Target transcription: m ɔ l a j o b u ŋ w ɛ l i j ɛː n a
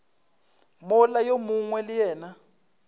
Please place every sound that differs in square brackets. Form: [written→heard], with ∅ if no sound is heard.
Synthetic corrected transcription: m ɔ l a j o [b→m] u ŋ w ɛ l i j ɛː n a

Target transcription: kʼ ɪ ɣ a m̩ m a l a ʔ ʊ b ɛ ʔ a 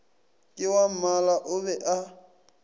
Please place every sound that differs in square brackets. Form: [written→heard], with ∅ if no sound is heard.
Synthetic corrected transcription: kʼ ɪ [ɣ→w] a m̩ m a l a ʔ ʊ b ɛ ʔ a

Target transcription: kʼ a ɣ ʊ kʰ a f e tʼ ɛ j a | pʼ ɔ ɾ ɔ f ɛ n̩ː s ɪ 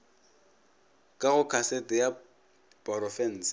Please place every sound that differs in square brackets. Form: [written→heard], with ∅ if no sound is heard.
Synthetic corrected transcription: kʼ a ɣ ʊ kʰ a [f→s] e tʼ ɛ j a | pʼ ɔ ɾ ɔ f ɛ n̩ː s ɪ

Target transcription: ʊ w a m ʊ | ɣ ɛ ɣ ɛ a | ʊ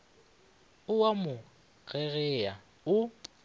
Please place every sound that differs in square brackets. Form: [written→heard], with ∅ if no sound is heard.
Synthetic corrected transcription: ʊ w a m ʊ | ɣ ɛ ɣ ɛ a | ʊ

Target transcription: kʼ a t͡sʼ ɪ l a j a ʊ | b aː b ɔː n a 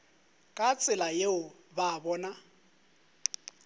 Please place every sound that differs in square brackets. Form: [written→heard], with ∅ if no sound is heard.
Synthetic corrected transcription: kʼ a t͡sʼ ɪ l a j [a→e] ʊ | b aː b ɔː n a

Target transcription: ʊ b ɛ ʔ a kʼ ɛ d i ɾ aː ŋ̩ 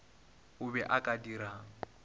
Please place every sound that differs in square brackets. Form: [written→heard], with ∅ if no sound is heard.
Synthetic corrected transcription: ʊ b ɛ ʔ a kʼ [ɛ→a] d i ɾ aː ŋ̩

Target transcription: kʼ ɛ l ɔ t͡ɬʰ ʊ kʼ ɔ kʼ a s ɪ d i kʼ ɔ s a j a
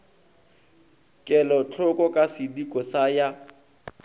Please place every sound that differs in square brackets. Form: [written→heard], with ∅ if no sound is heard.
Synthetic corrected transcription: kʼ ɛ l ɔ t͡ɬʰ ʊ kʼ ɔ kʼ a s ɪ d i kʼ ɔ s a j a

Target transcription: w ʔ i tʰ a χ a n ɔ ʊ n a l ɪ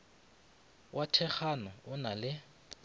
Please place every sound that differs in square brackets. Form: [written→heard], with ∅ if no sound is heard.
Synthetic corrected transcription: w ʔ [i→a] tʰ [a→ɛ] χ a n ɔ ʊ n a l ɪ

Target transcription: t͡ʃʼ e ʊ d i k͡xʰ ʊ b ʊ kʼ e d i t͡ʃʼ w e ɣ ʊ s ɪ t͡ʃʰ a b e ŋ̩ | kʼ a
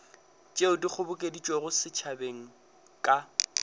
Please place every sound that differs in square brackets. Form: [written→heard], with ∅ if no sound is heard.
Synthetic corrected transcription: t͡ʃʼ e ʊ d i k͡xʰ ʊ b ʊ kʼ e d i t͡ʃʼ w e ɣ ʊ s ɪ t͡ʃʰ a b e ŋ̩ | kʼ a

